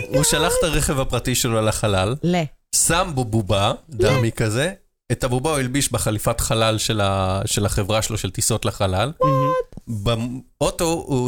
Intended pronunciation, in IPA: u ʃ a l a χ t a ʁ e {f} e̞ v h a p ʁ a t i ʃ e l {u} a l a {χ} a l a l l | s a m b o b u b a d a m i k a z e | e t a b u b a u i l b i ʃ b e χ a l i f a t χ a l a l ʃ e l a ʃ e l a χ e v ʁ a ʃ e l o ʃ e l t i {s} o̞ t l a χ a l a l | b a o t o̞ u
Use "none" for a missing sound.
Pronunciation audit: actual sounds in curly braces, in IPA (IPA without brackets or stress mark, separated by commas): χ, o, χ, s